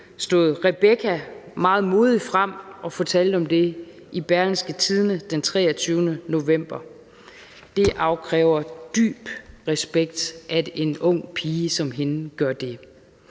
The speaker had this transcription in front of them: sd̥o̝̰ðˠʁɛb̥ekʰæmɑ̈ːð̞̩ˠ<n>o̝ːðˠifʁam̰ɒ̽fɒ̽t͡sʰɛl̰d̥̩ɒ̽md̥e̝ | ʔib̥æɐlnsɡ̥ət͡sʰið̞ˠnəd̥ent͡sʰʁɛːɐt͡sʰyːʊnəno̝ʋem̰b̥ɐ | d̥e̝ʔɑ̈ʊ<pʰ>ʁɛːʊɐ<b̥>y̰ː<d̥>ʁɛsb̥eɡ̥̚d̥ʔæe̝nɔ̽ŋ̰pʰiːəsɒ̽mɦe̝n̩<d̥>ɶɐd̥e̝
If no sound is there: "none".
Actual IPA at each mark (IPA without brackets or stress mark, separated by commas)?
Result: m, kʰ, d̥, b̥, ɡ̥